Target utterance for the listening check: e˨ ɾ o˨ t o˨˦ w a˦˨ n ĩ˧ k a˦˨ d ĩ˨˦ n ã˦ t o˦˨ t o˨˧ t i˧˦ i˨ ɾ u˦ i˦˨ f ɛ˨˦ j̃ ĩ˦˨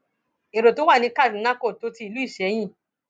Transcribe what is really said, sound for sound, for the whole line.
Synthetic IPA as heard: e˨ ɾ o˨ t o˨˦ w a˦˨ n ĩ˧ k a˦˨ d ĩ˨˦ n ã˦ k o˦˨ t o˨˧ t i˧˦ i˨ l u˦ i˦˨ ʃ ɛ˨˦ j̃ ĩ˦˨